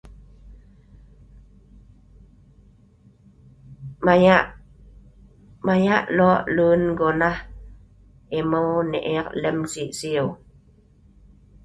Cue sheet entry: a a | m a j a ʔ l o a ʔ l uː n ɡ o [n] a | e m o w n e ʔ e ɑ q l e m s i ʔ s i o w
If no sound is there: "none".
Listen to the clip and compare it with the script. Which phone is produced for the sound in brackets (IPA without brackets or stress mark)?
n